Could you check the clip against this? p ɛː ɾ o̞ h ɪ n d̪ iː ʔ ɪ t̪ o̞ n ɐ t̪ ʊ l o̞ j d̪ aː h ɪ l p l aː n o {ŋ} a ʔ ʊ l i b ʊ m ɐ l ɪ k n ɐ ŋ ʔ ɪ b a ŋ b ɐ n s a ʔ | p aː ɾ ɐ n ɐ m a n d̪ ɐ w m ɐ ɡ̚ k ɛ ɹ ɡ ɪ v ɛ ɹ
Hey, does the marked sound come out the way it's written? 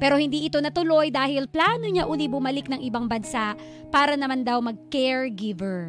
no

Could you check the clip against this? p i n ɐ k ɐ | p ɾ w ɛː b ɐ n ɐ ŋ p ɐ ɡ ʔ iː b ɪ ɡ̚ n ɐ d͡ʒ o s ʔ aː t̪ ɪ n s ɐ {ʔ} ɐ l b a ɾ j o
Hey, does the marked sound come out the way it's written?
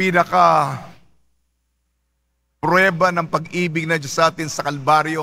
no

